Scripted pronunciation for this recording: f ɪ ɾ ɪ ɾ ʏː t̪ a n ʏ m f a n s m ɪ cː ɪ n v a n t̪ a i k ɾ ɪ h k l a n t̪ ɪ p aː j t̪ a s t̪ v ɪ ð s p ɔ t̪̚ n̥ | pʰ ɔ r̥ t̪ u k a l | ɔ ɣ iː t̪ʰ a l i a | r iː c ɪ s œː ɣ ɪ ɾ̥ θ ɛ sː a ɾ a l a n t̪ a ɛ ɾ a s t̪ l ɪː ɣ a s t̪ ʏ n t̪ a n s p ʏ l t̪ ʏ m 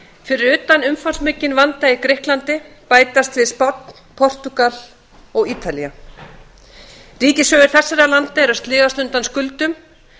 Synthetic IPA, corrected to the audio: f ɪ ɾ ɪ ɾ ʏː t̪ a n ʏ m f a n s m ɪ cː ɪ n v a n t̪ a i k ɾ ɪ h k l a n t̪ ɪ p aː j t̪ a s t̪ v ɪ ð s p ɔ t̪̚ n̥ | pʰ ɔ r̥ t̪ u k a l | ɔ ɣ iː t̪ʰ a l i a | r iː c ɪ s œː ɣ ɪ ɾ̥ θ ɛ sː a ɾ a l a n t̪ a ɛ ɾ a s t̪ l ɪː ɣ a s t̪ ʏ n t̪ a n s k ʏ l t̪ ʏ m